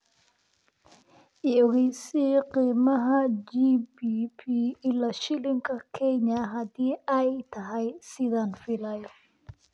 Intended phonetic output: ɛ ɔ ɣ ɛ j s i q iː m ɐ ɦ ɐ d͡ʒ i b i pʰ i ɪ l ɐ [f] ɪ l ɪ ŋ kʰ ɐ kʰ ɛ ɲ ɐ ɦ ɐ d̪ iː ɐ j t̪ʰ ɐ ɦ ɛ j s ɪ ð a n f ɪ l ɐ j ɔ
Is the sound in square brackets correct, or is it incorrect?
incorrect